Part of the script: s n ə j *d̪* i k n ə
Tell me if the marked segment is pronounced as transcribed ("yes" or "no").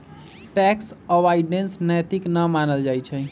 no